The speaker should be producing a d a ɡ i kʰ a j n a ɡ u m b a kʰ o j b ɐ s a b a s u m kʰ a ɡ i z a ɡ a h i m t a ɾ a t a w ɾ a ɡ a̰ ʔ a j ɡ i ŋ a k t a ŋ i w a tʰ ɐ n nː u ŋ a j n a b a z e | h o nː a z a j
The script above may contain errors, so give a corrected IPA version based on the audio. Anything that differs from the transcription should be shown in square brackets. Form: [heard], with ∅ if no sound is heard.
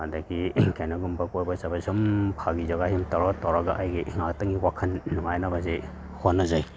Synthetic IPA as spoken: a d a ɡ i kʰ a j n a ɡ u m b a [k] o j b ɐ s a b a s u m [pʰ] a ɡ i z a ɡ a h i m t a ɾ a t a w ɾ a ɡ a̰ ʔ a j ɡ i ŋ a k t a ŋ i w a [kʰ] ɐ n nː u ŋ a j n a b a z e | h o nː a z a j